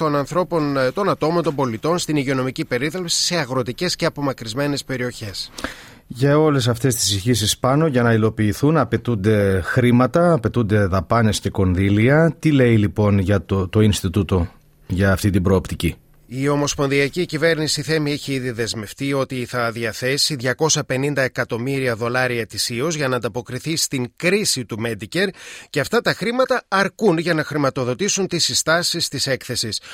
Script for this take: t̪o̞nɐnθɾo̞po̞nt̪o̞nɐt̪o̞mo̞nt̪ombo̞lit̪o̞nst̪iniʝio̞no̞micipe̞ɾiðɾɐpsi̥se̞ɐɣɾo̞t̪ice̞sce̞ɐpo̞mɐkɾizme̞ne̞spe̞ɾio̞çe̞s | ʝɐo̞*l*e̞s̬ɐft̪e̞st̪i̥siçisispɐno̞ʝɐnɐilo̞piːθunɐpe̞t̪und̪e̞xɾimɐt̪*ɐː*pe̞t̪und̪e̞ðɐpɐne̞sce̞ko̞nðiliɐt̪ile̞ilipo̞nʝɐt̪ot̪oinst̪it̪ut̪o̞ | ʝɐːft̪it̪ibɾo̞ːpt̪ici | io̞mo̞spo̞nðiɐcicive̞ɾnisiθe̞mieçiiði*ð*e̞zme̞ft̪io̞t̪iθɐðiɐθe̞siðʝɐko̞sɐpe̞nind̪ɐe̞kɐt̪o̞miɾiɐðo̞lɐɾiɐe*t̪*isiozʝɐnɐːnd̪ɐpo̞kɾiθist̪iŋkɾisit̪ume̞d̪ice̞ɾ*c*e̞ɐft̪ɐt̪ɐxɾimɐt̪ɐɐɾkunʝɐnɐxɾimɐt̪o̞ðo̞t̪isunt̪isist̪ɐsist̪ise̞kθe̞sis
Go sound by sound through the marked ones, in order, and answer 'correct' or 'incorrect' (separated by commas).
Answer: correct, correct, correct, correct, correct